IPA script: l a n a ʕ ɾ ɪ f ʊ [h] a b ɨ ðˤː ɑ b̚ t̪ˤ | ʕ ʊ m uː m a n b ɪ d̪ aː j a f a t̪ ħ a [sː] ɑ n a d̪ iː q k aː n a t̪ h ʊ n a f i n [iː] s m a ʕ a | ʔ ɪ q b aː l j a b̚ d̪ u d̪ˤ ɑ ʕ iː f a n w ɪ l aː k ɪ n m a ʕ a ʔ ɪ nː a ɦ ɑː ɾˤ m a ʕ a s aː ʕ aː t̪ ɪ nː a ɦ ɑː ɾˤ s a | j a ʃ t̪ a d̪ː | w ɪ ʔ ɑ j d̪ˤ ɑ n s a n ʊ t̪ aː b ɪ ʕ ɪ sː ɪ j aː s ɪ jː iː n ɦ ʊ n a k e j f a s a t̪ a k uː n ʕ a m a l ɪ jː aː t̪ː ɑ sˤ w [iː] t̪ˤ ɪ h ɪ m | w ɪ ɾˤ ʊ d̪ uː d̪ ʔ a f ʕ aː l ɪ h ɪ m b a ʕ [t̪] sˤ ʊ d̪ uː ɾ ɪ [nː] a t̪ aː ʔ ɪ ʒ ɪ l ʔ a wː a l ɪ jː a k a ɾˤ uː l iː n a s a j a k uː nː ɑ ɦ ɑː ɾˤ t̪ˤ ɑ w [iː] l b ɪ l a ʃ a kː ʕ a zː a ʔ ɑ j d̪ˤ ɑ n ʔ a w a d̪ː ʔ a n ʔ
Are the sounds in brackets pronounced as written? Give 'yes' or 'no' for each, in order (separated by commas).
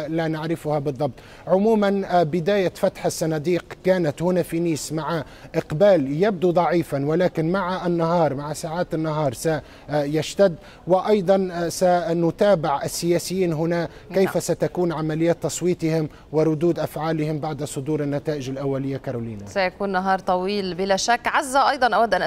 yes, yes, yes, yes, no, yes, yes